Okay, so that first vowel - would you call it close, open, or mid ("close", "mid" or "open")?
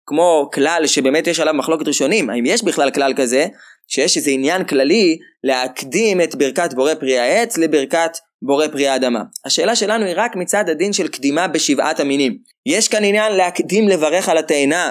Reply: mid